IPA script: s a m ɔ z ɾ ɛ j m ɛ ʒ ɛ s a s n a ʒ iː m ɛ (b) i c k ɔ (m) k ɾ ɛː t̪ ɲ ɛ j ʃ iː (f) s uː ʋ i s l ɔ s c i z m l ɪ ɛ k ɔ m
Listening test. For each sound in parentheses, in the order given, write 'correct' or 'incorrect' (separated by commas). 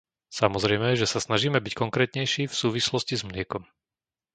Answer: correct, incorrect, correct